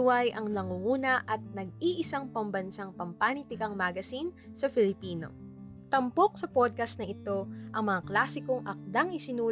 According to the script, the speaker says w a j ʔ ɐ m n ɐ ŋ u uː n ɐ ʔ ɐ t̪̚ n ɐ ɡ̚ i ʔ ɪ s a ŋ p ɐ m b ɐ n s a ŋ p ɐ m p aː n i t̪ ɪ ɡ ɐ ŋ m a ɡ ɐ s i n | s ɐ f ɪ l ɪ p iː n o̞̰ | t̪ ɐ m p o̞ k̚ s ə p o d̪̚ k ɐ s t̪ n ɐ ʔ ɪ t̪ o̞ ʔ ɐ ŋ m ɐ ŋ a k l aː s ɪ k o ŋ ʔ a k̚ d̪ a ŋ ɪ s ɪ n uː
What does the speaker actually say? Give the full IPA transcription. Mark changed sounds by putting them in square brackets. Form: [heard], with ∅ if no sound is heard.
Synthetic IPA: w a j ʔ ɐ [ŋ] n ɐ ŋ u uː n ɐ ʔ ɐ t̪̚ n ɐ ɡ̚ i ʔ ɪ s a ŋ p ɐ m b ɐ n s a ŋ p ɐ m p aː n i t̪ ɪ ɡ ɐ ŋ m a ɡ ɐ s i n | s ɐ f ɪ l ɪ p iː n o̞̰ | t̪ ɐ m p o̞ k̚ s [ɐ] p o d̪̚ k ɐ s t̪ n ɐ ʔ ɪ t̪ o̞ ʔ ɐ ŋ m ɐ ŋ a k l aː s ɪ k o ŋ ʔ [ɐ] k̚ d̪ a ŋ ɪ s ɪ n uː